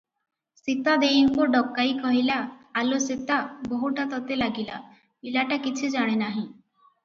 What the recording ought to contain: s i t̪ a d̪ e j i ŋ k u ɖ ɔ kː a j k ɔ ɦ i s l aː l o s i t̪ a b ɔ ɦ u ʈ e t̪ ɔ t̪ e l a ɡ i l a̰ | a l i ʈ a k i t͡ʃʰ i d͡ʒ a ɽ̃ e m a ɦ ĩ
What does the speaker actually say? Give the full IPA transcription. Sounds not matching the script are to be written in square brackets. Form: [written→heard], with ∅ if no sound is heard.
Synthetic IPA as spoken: s i t̪ a d̪ e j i ŋ k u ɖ ɔ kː a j k ɔ ɦ i [s→∅] l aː l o s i t̪ a b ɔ ɦ u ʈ [e→a] t̪ ɔ t̪ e l a ɡ i l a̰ | [a→i] l [i→a] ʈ a k i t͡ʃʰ i d͡ʒ a ɽ̃ e [m→n] a ɦ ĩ